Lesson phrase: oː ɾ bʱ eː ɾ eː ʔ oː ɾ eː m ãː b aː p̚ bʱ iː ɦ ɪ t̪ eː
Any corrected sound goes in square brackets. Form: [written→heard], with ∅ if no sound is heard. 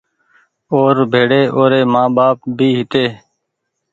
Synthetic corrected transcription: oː ɾ bʱ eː [ɾ→ɽ] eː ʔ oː ɾ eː m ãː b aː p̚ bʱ iː ɦ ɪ t̪ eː